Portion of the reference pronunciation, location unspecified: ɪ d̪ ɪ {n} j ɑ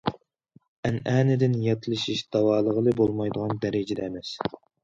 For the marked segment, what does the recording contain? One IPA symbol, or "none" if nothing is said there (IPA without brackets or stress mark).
n